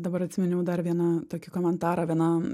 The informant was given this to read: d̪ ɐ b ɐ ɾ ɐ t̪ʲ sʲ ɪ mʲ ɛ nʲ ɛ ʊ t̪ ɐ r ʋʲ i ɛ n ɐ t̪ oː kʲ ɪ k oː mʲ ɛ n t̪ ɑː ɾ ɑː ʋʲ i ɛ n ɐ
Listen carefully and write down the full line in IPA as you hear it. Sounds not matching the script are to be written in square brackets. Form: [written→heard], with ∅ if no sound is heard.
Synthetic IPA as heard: d̪ ɐ b ɐ ɾ ɐ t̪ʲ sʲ ɪ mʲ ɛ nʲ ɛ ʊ [t̪→d̪] ɐ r ʋʲ i ɛ n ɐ t̪ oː kʲ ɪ k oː mʲ ɛ n t̪ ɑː ɾ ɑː ʋʲ i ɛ n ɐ